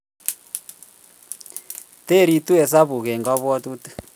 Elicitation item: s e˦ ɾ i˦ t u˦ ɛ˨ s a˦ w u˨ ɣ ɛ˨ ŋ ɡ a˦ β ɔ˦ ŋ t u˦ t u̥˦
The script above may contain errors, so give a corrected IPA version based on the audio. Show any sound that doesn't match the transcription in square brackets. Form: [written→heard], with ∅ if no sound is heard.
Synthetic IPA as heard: [s→t] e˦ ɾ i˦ t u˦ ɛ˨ s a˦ [w→β] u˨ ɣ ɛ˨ ŋ ɡ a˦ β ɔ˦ [ŋ→∅] t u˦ t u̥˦